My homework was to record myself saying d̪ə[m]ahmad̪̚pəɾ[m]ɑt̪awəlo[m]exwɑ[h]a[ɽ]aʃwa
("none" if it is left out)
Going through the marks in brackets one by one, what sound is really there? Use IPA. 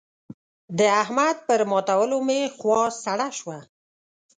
none, m, m, s, ɽ

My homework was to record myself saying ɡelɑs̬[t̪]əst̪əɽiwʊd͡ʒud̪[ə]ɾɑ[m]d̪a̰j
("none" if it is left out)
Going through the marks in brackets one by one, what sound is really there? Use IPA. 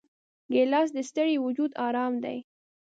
d̪, ɑ, m

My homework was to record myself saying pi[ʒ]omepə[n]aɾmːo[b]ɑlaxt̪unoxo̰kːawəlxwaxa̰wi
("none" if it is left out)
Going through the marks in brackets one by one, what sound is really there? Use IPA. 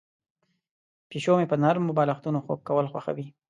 ʃ, n, b

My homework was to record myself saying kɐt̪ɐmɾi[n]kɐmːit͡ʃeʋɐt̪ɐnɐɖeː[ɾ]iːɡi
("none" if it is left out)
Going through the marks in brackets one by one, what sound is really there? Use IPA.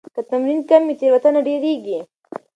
n, ɾ

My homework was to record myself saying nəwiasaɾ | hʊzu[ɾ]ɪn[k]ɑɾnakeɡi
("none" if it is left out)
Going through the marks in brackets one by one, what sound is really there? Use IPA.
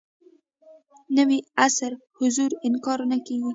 ɾ, k

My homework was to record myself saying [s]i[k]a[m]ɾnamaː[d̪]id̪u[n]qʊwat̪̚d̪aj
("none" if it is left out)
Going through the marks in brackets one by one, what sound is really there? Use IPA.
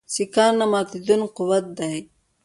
s, k, none, t̪, n

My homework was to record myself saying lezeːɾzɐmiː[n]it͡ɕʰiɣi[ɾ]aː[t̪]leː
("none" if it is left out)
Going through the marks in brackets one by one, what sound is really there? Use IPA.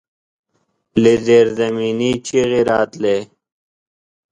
n, ɾ, t̪

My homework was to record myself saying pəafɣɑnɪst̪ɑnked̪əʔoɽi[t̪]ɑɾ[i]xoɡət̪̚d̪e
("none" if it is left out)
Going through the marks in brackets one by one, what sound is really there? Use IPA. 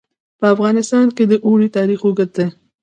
t̪, i

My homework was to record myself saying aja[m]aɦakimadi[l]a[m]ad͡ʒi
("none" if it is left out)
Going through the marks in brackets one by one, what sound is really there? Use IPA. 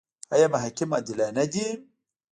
m, l, n

